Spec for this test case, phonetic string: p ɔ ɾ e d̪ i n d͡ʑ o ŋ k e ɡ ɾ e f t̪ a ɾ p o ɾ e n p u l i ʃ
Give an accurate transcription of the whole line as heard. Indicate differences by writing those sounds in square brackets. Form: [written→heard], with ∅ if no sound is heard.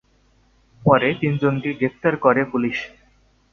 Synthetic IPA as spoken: p ɔ ɾ e [d̪→t̪] i n d͡ʑ o [ŋ→n] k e ɡ ɾ e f t̪ a ɾ [p→k] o ɾ e [n→∅] p u l i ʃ